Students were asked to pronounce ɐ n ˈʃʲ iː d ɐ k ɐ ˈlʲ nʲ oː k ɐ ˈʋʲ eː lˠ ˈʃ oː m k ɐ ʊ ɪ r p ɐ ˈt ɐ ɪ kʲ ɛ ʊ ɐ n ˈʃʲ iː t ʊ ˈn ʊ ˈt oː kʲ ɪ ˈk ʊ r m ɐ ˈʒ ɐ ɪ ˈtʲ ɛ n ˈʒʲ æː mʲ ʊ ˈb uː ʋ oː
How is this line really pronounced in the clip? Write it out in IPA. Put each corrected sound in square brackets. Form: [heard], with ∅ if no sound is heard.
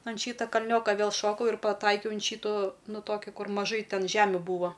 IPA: ɐ n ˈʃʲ iː [t] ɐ k ɐ ˈlʲ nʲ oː k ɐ ˈʋʲ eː lˠ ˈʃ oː [∅] k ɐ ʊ ɪ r p ɐ ˈt ɐ ɪ kʲ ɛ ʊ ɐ n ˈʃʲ iː t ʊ ˈn ʊ ˈt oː kʲ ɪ ˈk ʊ r m ɐ ˈʒ ɐ ɪ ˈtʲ ɛ n ˈʒʲ æː mʲ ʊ ˈb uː ʋ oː